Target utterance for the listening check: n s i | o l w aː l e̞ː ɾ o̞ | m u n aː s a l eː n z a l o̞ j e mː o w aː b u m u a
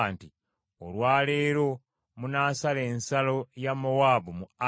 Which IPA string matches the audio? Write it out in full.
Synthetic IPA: n t i | o l w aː l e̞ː ɾ o̞ | m u n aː s a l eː n s a l o̞ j a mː o w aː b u m u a